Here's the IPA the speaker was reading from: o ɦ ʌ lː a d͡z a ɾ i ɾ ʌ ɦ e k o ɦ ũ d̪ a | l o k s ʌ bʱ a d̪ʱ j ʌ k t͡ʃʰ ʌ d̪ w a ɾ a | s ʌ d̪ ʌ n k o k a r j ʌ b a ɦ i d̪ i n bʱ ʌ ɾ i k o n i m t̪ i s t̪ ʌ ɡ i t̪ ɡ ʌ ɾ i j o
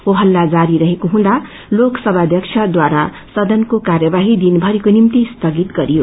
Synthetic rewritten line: o ɦ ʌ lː a d͡z a ɾ i ɾ ʌ ɦ e k o ɦ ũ d̪ a | l o k s ʌ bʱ a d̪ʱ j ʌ k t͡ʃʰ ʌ d̪ w a ɾ a | s ʌ d̪ ʌ n k o k a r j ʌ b a ɦ i d̪ i n bʱ ʌ ɾ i k o n i m t̪ i s t̪ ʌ ɡ i t̪ ɡ ʌ ɾ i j o